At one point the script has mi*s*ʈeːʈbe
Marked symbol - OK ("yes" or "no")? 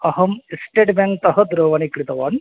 yes